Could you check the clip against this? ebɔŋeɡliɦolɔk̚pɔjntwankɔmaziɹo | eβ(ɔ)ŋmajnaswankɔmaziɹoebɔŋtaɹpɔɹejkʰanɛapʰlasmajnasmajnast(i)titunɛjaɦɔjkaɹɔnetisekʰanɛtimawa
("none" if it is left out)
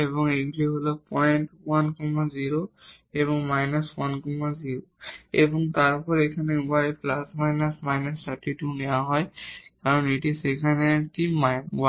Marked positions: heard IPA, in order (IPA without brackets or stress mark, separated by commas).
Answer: ɔ, a